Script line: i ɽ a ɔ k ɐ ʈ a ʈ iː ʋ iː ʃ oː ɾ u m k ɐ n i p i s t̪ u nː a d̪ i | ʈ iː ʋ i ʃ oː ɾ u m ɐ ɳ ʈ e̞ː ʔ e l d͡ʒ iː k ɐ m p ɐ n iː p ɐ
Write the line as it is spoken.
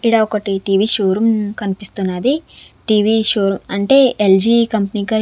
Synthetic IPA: i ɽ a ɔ k ɐ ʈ i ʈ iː ʋ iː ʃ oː ɾ u m k ɐ n i p i s t̪ u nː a d̪ i | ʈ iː ʋ i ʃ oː ɾ u m ɐ ɳ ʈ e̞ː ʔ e l d͡ʒ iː k ɐ m p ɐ n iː k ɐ